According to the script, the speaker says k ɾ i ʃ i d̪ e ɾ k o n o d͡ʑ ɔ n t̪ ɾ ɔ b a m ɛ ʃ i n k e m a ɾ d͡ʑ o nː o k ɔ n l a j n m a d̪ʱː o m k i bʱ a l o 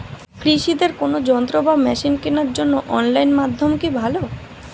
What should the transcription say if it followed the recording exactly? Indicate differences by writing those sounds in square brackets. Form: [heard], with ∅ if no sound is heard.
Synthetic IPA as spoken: k ɾ i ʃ i d̪ e ɾ k o n o d͡ʑ ɔ n t̪ ɾ [o] b a m ɛ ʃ i n k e [n] a ɾ d͡ʑ o nː o [ʔ] ɔ n l a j n m a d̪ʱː o m k i bʱ a l o